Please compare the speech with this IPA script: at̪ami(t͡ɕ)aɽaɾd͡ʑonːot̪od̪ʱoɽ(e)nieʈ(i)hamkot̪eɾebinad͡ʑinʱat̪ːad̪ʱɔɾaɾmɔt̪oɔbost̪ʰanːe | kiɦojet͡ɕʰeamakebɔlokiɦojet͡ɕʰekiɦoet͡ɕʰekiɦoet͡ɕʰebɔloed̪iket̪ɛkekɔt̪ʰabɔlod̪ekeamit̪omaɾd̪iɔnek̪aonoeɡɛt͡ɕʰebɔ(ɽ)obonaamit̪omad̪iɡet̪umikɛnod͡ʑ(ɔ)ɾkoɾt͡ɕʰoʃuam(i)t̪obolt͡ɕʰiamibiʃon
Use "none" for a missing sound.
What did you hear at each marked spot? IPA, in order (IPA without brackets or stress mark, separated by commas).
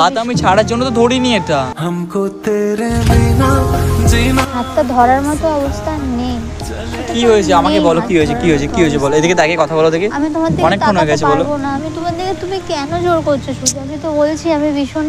t͡ɕʰ, i, a, l, o, i